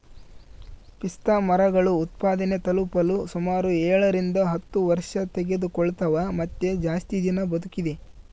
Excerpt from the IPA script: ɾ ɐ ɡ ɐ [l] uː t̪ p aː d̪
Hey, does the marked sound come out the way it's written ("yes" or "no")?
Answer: no